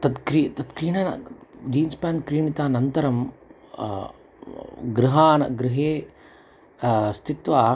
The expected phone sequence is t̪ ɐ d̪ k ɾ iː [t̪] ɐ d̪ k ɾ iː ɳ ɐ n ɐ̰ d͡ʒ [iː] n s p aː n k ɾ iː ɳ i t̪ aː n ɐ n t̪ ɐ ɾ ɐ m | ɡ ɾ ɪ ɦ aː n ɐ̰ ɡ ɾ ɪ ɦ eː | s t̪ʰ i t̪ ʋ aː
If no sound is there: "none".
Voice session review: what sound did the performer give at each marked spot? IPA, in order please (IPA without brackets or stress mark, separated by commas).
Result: t̪, iː